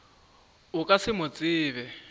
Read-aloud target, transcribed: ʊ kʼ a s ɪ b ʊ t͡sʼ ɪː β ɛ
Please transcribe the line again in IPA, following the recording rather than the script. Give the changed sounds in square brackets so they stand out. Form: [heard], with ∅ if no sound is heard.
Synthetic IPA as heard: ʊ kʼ a s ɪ [m] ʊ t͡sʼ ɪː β ɛ